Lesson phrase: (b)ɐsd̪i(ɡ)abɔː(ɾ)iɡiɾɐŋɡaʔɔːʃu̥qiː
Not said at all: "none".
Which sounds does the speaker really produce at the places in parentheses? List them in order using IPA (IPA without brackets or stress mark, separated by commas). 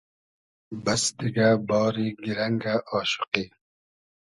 b, ɡ, ɾ